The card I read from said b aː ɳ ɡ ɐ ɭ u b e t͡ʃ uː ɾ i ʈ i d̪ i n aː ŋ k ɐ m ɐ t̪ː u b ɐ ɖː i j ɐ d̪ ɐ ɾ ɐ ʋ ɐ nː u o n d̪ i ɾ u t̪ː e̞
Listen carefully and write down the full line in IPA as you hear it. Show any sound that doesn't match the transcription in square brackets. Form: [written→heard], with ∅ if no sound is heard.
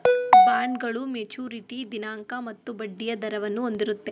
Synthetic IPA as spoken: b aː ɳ ɡ ɐ ɭ u [b→m] e t͡ʃ uː ɾ i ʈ i d̪ i n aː ŋ k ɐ m ɐ t̪ː u b ɐ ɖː i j ɐ d̪ ɐ ɾ ɐ ʋ ɐ nː u o n d̪ i ɾ u t̪ː e̞